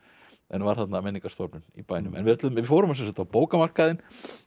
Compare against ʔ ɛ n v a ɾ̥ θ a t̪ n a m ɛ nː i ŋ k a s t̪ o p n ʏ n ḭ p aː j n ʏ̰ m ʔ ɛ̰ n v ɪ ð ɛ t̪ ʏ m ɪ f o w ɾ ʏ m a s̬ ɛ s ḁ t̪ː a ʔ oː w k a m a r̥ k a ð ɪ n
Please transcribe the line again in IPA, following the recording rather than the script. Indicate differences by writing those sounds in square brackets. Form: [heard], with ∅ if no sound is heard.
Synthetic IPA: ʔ ɛ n v a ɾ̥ θ a t̪ n a m ɛ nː i ŋ k a s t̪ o p n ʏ n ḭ p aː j n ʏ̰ m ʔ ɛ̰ n v ɪ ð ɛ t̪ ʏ m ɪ f o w ɾ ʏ m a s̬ ɛ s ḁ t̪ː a [p] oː w k a m a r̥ k a ð ɪ n